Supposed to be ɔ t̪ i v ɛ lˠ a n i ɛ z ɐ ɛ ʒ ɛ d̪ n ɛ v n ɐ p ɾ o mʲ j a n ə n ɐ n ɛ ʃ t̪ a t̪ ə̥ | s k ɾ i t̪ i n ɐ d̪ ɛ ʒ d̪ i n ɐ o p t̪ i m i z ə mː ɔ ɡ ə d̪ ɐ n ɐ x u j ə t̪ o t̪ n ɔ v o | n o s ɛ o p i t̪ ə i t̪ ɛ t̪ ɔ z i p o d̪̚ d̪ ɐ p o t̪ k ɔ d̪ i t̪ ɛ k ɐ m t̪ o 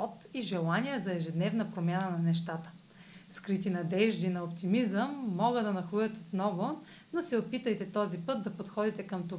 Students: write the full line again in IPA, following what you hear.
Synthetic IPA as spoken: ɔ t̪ i ʒ ɛ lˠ a n i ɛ z ɐ ɛ ʒ ɛ d̪ n ɛ v n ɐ p ɾ o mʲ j a n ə n ɐ n ɛ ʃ t̪ a t̪ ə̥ | s k ɾ i t̪ i n ɐ d̪ ɛ ʒ d̪ i n ɐ o p t̪ i m i z ə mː ɔ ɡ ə d̪ ɐ n ɐ x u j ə t̪ o t̪ n ɔ v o | n o s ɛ o p i t̪ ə j t̪ ɛ t̪ ɔ z i p ɤ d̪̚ d̪ ɐ p o t̪ x ɔ d̪ i t̪ ɛ k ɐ m t̪ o